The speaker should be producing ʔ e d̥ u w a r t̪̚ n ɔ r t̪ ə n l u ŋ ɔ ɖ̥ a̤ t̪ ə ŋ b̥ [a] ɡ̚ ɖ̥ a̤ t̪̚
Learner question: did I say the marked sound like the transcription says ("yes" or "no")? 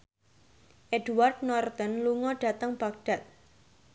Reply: yes